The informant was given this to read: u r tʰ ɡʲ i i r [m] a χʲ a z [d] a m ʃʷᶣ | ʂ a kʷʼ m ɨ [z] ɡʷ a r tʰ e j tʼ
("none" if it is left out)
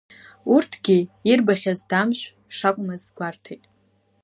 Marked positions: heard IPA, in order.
b, d, z

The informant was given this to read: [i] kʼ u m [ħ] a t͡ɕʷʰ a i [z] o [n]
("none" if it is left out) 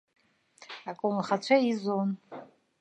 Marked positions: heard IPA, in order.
a, χ, z, n

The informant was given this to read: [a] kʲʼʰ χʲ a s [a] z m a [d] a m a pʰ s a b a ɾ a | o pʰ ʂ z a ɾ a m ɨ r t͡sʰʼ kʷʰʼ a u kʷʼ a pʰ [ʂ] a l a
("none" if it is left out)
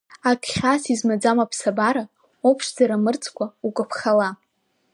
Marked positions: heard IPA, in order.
a, i, d͡z, χ

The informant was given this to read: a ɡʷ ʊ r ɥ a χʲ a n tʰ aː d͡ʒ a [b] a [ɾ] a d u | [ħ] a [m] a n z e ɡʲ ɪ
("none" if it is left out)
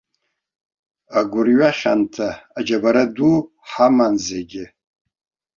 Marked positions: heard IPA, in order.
b, ɾ, ħ, m

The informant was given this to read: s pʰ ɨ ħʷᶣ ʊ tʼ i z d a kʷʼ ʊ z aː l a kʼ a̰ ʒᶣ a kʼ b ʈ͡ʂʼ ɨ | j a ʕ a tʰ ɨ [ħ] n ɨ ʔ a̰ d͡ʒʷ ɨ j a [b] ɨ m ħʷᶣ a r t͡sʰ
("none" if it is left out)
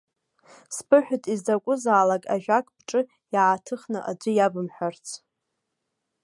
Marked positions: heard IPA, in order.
χ, b

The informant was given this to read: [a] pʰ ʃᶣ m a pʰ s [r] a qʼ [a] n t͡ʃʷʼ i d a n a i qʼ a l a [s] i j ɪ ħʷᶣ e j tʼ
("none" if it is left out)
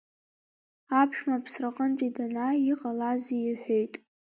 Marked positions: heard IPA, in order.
a, r, ə, z

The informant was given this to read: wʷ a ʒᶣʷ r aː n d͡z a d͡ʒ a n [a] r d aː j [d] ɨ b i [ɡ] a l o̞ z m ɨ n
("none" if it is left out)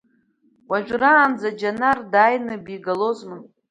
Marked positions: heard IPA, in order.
a, n, ɡ

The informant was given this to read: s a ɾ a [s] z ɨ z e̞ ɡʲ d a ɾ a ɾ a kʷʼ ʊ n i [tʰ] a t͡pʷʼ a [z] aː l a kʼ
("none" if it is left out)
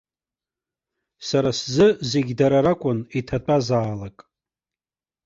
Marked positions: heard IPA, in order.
s, tʰ, z

